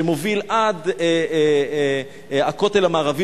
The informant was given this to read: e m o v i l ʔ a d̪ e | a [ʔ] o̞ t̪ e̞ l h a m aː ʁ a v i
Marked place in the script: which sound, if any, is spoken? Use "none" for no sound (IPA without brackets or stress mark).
k